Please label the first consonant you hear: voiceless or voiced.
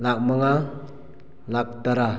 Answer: voiced